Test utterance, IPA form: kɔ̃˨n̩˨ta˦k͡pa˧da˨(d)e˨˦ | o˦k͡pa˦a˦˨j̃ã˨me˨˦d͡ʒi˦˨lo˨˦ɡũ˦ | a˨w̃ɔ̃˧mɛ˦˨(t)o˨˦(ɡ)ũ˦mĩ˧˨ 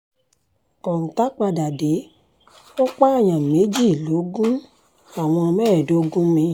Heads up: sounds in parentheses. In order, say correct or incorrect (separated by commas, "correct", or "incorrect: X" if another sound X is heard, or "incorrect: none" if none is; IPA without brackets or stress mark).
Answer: correct, incorrect: d, correct